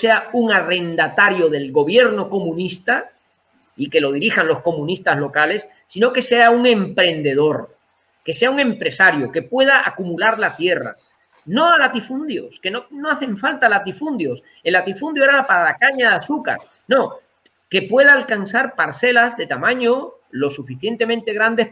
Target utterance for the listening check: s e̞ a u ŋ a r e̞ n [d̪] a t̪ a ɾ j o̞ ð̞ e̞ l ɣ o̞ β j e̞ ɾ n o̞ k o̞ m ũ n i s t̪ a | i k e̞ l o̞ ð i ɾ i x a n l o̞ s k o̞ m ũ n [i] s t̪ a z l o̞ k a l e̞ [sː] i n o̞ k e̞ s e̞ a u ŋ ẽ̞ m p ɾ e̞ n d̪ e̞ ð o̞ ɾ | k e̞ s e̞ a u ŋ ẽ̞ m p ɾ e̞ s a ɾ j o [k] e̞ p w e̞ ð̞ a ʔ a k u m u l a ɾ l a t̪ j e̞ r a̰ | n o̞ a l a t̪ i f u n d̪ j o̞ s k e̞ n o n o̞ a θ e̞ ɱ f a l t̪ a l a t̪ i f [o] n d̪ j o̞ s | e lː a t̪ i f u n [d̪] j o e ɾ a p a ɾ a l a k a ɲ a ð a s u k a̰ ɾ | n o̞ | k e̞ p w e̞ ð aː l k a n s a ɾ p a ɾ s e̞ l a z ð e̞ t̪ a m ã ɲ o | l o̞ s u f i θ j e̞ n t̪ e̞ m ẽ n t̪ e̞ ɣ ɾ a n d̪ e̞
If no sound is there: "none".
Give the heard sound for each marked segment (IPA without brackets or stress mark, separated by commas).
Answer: d̪, i, sː, k, u, d̪